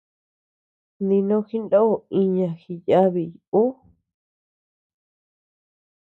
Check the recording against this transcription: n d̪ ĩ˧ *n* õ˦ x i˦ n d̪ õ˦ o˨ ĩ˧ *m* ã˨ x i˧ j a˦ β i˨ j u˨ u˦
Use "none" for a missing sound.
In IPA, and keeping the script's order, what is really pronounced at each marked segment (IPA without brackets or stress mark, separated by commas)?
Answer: n, ɲ